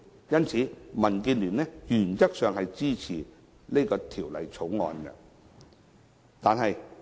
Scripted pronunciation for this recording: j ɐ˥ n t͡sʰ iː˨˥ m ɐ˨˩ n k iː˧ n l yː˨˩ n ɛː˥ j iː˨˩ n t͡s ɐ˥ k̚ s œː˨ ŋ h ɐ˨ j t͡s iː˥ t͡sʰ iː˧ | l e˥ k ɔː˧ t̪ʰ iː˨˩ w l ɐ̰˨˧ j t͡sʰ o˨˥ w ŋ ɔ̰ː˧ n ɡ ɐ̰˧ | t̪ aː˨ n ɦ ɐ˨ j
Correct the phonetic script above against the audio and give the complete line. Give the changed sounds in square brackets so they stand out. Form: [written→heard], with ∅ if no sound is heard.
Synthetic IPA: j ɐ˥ n t͡sʰ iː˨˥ m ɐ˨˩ n k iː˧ n l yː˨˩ n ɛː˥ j [iː˨˩→yː˨˩] n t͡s ɐ˥ k̚ s œː˨ ŋ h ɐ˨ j t͡s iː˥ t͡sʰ [iː˧→iː˨˩] | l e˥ k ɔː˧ t̪ʰ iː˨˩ w l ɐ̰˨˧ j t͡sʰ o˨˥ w ŋ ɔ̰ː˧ n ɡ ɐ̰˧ | t̪ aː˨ n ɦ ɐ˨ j